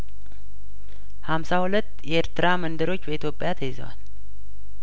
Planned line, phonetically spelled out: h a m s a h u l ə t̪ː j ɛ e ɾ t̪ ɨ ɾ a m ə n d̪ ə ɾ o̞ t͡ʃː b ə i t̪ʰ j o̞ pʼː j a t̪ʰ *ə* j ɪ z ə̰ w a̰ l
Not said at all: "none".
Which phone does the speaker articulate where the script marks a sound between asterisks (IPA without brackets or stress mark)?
ə